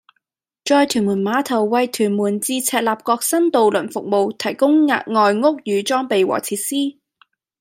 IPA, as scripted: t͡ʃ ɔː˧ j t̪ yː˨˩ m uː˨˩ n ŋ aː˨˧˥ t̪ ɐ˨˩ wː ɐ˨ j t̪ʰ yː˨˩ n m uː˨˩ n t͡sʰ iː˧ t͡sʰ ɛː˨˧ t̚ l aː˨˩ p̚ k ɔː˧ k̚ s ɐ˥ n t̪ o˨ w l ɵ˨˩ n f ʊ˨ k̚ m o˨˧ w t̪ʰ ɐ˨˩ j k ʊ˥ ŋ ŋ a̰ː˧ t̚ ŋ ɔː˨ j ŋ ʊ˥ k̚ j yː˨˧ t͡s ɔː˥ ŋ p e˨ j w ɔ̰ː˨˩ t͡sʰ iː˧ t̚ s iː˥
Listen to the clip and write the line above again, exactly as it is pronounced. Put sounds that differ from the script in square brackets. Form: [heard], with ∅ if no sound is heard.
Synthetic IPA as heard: t͡ʃ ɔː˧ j [t̪ʰ] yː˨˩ m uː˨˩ n [m] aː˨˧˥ [t̪ʰ] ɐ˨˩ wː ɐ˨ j t̪ʰ yː˨˩ n m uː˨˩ n [t͡s] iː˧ t͡sʰ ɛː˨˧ t̚ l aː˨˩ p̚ k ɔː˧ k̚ s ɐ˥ n t̪ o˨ w l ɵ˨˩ n f ʊ˨ k̚ m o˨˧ w t̪ʰ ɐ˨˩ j k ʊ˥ ŋ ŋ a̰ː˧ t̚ ŋ ɔː˨ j ŋ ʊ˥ k̚ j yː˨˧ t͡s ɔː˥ ŋ p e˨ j w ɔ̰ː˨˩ t͡sʰ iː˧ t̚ s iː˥

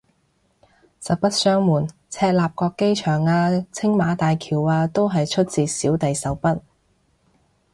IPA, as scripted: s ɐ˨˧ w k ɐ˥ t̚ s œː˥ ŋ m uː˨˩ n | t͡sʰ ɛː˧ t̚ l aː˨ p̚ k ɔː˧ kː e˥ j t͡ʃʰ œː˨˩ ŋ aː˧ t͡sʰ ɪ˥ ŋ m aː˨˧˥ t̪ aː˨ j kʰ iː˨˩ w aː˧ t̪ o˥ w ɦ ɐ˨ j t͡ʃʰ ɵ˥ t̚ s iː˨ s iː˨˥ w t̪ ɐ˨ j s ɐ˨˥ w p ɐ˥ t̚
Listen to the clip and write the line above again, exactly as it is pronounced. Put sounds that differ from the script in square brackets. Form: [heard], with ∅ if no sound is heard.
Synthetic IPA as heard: s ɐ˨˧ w [p] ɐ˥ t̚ s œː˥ ŋ m uː˨˩ n | t͡sʰ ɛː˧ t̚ l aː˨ p̚ k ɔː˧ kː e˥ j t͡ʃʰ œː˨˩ ŋ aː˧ t͡sʰ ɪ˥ ŋ m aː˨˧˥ t̪ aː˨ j kʰ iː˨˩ w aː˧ t̪ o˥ w ɦ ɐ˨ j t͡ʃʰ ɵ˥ t̚ [t͡s] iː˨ s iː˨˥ w t̪ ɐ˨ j s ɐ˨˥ w p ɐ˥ t̚

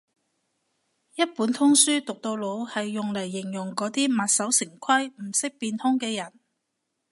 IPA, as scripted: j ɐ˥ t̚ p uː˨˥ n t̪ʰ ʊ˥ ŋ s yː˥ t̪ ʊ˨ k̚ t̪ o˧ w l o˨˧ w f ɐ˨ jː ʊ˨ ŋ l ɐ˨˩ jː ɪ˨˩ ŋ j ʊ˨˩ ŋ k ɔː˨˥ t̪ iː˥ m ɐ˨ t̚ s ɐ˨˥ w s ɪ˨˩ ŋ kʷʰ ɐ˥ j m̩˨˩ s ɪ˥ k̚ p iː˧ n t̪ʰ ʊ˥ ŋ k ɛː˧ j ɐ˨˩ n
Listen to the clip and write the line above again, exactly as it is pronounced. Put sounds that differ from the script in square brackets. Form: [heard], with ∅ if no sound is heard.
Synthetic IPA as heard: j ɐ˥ t̚ p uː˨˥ n t̪ʰ ʊ˥ ŋ s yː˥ t̪ ʊ˨ k̚ t̪ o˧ w l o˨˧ w [h] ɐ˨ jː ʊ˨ ŋ l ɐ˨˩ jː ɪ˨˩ ŋ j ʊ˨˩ ŋ k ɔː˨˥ t̪ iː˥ m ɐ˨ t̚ s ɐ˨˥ w s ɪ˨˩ ŋ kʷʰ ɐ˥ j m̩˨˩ s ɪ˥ k̚ p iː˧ n t̪ʰ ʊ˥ ŋ k ɛː˧ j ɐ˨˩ n

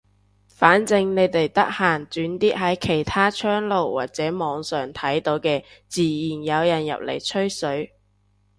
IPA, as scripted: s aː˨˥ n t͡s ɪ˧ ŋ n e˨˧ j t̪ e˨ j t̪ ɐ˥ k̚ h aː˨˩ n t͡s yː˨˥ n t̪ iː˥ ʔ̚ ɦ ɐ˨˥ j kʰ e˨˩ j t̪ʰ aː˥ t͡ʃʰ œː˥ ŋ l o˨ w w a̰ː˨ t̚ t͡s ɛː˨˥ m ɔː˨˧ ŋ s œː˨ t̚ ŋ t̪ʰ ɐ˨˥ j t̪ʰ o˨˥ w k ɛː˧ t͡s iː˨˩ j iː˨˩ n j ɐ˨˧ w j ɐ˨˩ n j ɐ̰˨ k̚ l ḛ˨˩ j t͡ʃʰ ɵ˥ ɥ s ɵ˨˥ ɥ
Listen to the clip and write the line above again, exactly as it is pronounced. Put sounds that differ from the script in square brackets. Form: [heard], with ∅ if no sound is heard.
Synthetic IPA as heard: [f] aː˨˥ n t͡s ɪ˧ ŋ n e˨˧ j t̪ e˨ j t̪ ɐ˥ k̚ h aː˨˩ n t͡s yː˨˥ n t̪ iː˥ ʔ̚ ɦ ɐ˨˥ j kʰ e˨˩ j t̪ʰ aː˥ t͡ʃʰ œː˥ ŋ l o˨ w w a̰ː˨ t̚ t͡s ɛː˨˥ m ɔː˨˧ ŋ s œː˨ [∅] ŋ t̪ʰ ɐ˨˥ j [t̪] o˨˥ w k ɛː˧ t͡s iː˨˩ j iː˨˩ n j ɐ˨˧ w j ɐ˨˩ n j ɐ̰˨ [p̚] l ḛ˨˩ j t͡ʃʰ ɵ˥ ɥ s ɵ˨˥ ɥ

